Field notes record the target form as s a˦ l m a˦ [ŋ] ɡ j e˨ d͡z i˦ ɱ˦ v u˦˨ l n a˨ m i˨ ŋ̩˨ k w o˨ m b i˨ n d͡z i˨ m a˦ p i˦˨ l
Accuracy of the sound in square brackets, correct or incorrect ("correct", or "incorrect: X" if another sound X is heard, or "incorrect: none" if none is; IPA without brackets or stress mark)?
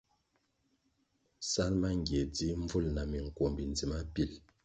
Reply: correct